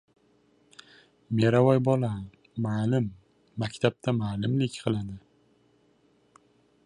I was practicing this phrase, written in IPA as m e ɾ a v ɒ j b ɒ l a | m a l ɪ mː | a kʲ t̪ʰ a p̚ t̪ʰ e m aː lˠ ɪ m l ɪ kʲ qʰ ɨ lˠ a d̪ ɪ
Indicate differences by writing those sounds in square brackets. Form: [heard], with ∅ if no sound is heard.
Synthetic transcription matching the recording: m e ɾ a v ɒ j b ɒ l a | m a l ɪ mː | a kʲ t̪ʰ a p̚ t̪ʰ [a] m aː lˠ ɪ m l ɪ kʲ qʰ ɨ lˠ a d̪ ɪ